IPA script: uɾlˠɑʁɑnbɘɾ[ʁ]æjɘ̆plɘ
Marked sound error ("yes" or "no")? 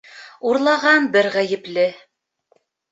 no